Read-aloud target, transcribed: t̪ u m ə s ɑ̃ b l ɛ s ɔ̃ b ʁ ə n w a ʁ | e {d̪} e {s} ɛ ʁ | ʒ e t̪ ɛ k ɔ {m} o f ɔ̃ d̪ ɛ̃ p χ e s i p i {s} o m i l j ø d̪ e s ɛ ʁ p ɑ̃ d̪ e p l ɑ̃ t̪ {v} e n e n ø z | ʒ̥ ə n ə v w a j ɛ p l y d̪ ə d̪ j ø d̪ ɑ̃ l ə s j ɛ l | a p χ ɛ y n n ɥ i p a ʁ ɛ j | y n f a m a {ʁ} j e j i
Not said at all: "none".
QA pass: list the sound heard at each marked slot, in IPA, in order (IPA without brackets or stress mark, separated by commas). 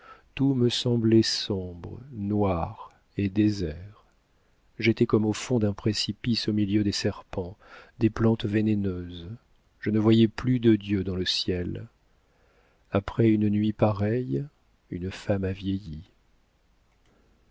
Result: d̪, z, m, s, v, v